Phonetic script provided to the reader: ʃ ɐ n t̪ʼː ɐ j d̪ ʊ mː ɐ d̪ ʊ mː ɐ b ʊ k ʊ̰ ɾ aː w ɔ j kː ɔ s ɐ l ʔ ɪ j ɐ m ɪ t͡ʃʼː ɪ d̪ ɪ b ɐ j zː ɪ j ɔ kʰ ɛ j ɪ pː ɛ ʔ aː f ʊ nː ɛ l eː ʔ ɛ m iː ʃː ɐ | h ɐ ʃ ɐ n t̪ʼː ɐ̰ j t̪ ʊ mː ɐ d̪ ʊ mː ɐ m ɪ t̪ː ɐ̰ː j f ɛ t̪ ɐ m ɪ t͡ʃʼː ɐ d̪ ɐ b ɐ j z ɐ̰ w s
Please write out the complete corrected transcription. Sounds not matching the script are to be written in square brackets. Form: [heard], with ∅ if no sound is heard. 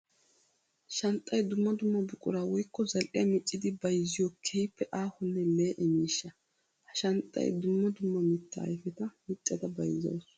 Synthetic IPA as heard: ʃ ɐ n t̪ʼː ɐ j d̪ ʊ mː ɐ d̪ ʊ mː ɐ b ʊ [kʼ] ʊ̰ ɾ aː w ɔ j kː ɔ [z] ɐ l ʔ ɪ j ɐ m ɪ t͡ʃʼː ɪ d̪ ɪ b ɐ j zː ɪ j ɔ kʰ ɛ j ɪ pː ɛ ʔ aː [h] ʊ nː ɛ l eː ʔ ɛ m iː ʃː ɐ | h ɐ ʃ ɐ n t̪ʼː ɐ̰ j [d̪] ʊ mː ɐ d̪ ʊ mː ɐ m ɪ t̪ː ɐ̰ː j f ɛ t̪ ɐ m ɪ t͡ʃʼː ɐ d̪ ɐ b ɐ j z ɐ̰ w s

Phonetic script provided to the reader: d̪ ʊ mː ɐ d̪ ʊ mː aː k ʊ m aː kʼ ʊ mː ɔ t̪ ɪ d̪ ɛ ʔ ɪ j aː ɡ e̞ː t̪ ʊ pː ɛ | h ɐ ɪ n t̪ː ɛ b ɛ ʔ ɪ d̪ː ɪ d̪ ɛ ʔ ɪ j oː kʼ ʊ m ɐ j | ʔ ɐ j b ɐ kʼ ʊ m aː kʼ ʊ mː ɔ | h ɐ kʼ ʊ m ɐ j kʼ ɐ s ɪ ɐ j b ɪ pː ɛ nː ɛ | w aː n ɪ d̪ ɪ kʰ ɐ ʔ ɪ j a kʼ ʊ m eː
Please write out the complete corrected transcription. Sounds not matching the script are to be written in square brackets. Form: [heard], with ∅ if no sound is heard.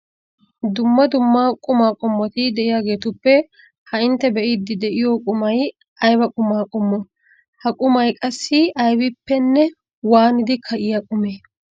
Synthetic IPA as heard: d̪ ʊ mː ɐ d̪ ʊ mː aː [kʼ] ʊ m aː kʼ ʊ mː ɔ t̪ ɪ d̪ ɛ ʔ ɪ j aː ɡ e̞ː t̪ ʊ pː ɛ | h ɐ ɪ n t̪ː ɛ b ɛ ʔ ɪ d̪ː ɪ d̪ ɛ ʔ ɪ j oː kʼ ʊ m ɐ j | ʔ ɐ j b ɐ kʼ ʊ m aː kʼ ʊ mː ɔ | h ɐ kʼ ʊ m ɐ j kʼ ɐ [sː] ɪ ɐ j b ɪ pː ɛ nː ɛ | w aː n ɪ d̪ ɪ kʰ ɐ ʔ ɪ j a kʼ ʊ m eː

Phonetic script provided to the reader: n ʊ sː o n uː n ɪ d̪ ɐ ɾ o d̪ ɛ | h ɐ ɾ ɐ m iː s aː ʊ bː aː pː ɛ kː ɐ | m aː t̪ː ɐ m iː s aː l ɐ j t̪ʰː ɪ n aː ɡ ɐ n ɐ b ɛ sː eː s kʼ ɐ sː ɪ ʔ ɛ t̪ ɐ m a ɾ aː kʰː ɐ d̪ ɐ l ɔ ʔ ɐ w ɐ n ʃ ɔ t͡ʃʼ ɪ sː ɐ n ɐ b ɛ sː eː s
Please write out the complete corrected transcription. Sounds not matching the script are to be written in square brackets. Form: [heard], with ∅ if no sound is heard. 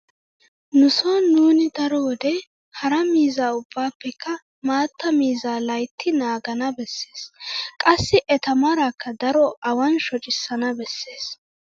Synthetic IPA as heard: n ʊ [s] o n uː n ɪ d̪ ɐ ɾ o d̪ ɛ | h ɐ ɾ ɐ m iː [z] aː ʊ bː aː pː ɛ kː ɐ | m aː t̪ː ɐ m iː [z] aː l ɐ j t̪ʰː ɪ n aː ɡ ɐ n ɐ b ɛ sː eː s kʼ ɐ sː ɪ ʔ ɛ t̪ ɐ m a ɾ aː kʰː ɐ d̪ ɐ [ɾ] ɔ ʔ ɐ w ɐ n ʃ ɔ t͡ʃʼ ɪ sː ɐ n ɐ b ɛ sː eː s

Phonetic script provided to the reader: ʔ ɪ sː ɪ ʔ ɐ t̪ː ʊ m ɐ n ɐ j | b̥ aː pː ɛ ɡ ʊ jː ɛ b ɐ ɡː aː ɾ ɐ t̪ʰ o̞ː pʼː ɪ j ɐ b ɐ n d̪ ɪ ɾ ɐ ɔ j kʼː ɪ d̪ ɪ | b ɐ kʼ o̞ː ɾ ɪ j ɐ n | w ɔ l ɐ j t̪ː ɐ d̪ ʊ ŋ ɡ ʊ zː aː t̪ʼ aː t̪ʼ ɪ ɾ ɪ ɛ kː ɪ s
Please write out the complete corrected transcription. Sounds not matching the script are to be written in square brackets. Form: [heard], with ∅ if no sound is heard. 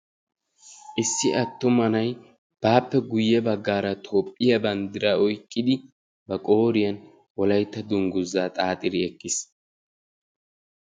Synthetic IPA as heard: ʔ ɪ sː ɪ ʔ ɐ t̪ː ʊ m ɐ n ɐ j | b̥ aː pː ɛ ɡ ʊ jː ɛ b ɐ ɡː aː ɾ ɐ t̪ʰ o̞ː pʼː ɪ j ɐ b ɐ n d̪ ɪ ɾ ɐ ɔ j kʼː ɪ d̪ ɪ | b ɐ kʼ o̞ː ɾ ɪ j ɐ n | w ɔ l ɐ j t̪ː ɐ d̪ ʊ ŋ ɡ ʊ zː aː t̪ʼ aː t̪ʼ ɪ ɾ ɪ ɛ kː ɪ s

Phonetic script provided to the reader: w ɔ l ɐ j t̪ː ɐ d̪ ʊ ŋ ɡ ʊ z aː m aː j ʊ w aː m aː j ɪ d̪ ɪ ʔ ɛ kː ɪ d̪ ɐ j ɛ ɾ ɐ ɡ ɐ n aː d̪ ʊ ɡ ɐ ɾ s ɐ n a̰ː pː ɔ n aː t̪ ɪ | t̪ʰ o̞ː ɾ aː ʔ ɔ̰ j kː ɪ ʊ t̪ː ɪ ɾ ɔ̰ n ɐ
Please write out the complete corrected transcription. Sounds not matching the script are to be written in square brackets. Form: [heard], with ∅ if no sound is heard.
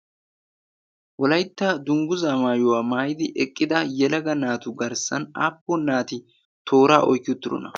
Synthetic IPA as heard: w ɔ l ɐ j t̪ː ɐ d̪ ʊ ŋ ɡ ʊ z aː m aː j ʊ w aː m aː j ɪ d̪ ɪ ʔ ɛ [kʼː] ɪ d̪ ɐ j ɛ [l] ɐ ɡ ɐ n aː [t̪] ʊ ɡ ɐ ɾ s ɐ n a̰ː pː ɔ n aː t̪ ɪ | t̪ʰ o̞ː ɾ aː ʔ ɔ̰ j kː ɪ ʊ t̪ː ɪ ɾ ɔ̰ n ɐ

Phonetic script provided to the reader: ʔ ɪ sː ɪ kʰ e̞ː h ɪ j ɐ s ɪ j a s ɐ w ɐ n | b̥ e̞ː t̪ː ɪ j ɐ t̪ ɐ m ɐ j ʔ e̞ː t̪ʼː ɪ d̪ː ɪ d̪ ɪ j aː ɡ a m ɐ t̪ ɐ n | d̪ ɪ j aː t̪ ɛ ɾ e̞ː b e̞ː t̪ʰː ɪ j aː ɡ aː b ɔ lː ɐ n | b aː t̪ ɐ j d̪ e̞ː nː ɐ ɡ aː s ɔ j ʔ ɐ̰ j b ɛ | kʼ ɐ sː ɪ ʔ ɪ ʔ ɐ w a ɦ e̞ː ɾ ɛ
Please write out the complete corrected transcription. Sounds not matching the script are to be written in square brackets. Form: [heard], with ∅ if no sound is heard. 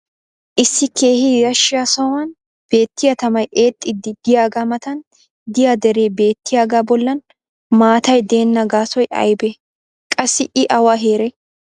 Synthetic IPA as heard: ʔ ɪ sː ɪ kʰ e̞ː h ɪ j ɐ [ʃ] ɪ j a s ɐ w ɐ n | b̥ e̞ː t̪ː ɪ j ɐ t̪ ɐ m ɐ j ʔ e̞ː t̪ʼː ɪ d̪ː ɪ d̪ ɪ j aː ɡ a m ɐ t̪ ɐ n | d̪ ɪ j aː [d̪] ɛ ɾ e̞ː b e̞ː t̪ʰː ɪ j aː ɡ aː b ɔ lː ɐ n | [m] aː t̪ ɐ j d̪ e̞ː nː ɐ ɡ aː s ɔ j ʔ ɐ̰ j b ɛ | kʼ ɐ sː ɪ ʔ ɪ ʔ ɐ w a ɦ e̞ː ɾ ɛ

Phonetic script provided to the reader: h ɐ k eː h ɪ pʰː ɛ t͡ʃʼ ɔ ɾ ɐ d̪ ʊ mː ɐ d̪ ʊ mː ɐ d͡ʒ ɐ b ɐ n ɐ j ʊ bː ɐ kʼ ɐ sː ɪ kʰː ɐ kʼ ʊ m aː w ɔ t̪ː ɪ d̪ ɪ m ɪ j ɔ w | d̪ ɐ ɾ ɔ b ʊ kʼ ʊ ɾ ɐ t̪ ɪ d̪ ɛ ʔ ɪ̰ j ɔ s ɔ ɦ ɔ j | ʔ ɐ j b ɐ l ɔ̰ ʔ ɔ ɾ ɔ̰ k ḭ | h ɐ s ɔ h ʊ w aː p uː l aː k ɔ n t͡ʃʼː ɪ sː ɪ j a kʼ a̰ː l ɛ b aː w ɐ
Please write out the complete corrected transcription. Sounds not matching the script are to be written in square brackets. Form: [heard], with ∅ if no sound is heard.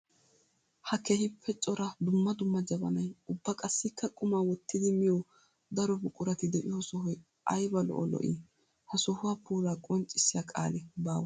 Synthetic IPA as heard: h ɐ k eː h ɪ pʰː ɛ t͡ʃʼ ɔ ɾ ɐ d̪ ʊ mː ɐ d̪ ʊ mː ɐ d͡ʒ ɐ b ɐ n ɐ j ʊ bː ɐ kʼ ɐ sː ɪ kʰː ɐ kʼ ʊ m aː w ɔ t̪ː ɪ d̪ ɪ m ɪ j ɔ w | d̪ ɐ ɾ ɔ b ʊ kʼ ʊ ɾ ɐ t̪ ɪ d̪ ɛ ʔ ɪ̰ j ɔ s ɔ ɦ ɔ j | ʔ ɐ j b ɐ l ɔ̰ ʔ ɔ [l] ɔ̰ [ʔ] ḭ | h ɐ s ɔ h ʊ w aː p uː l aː [kʼ] ɔ n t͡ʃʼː ɪ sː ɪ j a kʼ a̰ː l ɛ b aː w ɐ

